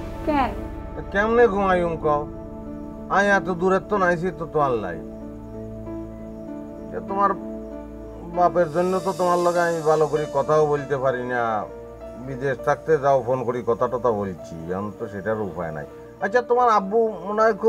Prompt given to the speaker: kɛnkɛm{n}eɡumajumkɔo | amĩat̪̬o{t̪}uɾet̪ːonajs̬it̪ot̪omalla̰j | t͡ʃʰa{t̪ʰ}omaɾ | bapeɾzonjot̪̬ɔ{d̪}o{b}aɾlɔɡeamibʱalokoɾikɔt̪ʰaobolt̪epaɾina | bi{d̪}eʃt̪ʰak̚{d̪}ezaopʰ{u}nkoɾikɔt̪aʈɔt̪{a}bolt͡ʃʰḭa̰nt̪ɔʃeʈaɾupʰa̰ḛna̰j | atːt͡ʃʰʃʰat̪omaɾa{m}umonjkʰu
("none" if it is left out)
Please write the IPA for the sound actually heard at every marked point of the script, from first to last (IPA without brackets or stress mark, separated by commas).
n, d̪, t̪, t̪, m, d̪, t̪, o, a, b